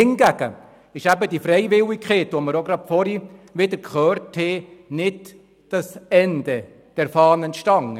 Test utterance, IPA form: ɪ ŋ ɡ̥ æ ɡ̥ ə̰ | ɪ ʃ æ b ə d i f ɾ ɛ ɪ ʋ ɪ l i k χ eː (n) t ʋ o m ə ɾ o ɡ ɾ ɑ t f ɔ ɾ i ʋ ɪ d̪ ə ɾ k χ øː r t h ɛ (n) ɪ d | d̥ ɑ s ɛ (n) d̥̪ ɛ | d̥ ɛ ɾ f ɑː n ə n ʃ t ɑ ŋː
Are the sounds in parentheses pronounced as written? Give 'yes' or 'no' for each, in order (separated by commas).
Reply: no, yes, yes